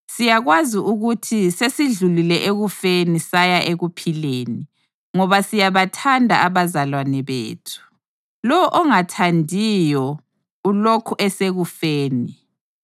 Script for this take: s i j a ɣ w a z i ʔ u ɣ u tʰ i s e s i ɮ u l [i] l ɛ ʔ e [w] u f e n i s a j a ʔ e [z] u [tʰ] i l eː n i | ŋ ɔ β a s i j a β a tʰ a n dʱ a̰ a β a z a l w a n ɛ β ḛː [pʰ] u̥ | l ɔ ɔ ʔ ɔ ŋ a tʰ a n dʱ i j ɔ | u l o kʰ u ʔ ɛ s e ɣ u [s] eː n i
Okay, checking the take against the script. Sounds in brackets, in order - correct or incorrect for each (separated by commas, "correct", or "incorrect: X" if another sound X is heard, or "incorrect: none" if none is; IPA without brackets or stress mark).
correct, incorrect: ɣ, incorrect: ɣ, incorrect: pʰ, incorrect: tʰ, incorrect: f